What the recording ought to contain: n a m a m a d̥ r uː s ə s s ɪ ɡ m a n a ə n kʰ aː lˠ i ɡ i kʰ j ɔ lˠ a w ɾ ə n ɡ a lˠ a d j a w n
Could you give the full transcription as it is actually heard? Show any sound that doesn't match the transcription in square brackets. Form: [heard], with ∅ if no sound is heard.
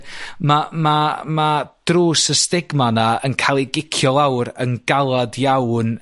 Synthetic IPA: [m] a m a m a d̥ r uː s ə s [t] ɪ ɡ m a n a ə n kʰ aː lˠ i ɡ [ɪ] kʰ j ɔ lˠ a w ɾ ə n ɡ a lˠ a d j a w n